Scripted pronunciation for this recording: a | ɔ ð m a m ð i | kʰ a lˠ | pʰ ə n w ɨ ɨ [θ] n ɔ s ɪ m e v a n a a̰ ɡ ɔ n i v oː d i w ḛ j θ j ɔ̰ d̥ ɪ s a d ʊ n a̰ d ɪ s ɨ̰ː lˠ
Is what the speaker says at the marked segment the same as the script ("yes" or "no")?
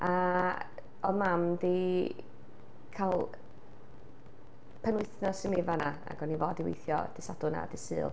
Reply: yes